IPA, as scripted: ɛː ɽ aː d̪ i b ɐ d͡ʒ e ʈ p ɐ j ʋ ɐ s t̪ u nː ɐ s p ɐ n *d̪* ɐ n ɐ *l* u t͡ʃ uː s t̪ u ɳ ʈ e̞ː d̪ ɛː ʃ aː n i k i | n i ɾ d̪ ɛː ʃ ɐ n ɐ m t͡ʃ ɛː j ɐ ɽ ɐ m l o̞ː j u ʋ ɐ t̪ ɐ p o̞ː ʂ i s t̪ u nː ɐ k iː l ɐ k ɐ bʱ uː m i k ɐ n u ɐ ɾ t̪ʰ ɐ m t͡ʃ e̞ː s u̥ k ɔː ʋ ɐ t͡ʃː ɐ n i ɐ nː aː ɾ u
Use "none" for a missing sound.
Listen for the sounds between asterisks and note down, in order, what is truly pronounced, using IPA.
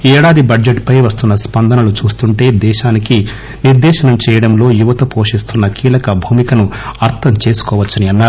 d̪, l

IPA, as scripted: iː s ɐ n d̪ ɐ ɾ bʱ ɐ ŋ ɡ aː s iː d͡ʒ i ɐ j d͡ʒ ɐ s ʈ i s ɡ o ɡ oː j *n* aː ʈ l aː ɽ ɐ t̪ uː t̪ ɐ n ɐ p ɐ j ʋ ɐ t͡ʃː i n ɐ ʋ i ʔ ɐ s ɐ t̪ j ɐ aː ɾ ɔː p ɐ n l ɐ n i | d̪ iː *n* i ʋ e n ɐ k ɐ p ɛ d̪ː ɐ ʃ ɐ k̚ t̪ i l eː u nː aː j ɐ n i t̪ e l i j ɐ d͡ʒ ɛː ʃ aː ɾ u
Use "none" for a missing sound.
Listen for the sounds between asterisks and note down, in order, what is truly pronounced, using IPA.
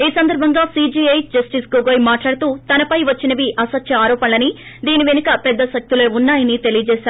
m, n

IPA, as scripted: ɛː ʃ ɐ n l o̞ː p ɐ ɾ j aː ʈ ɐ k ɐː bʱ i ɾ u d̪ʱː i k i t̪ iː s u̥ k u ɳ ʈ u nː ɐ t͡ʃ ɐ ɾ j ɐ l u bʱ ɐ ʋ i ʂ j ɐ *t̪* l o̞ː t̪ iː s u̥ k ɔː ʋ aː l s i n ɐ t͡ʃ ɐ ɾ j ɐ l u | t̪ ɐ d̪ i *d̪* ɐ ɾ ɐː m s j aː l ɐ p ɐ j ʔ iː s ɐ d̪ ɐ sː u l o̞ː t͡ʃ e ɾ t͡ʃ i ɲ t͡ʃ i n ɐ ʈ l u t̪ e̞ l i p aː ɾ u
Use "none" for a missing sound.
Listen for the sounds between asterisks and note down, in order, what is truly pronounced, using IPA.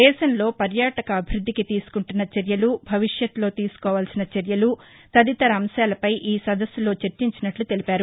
t̪, t̪

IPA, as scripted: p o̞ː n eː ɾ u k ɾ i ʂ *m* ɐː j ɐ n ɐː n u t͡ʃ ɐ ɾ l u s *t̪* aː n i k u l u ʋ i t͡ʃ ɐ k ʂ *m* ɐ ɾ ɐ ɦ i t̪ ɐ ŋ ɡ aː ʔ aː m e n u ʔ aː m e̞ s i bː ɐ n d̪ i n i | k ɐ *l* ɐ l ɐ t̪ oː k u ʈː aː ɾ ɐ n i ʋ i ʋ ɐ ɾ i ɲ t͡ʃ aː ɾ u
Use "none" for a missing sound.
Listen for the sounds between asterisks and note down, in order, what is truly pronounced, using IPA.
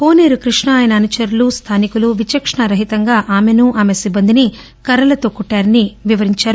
ɳ, t̪ʰ, ɳ, ɾ

